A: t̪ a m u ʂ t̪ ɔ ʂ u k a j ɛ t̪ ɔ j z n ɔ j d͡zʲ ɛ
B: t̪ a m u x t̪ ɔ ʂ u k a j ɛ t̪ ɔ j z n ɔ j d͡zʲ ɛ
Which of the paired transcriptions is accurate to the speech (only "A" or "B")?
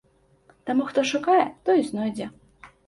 B